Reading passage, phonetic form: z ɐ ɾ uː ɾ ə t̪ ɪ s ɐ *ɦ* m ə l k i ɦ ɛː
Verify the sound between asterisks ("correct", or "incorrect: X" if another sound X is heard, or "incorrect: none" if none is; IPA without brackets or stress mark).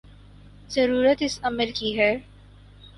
incorrect: none